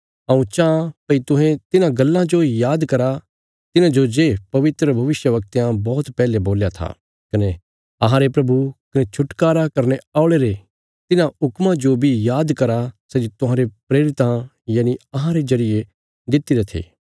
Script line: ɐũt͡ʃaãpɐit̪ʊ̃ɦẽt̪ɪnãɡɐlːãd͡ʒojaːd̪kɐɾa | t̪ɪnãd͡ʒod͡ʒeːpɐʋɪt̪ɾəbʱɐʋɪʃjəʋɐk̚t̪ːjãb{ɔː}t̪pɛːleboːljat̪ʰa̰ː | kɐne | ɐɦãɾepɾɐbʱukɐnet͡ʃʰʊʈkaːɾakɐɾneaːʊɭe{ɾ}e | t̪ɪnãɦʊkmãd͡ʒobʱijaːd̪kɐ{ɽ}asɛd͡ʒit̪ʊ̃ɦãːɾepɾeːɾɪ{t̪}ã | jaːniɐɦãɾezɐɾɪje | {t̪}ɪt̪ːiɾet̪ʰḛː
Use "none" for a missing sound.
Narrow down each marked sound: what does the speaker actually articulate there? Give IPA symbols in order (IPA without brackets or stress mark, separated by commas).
ɔː, ɾ, ɾ, t̪, d̪